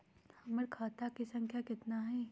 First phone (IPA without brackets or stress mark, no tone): h